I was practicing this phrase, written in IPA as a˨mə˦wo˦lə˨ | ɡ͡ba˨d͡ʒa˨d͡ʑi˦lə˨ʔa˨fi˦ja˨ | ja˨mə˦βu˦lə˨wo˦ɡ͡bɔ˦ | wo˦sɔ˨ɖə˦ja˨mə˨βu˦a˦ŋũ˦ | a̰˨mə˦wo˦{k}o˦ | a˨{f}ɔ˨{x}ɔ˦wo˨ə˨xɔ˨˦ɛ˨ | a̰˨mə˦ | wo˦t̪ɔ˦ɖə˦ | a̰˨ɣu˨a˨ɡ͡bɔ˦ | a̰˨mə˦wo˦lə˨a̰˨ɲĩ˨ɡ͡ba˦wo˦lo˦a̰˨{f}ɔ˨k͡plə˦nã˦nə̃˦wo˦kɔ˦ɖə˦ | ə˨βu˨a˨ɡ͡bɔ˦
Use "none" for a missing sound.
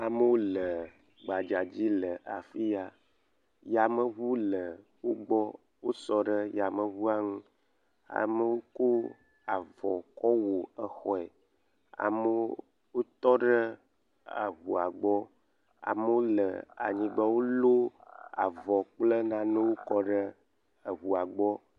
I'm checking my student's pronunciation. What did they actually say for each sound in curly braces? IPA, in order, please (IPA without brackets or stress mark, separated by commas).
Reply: k, v, k, v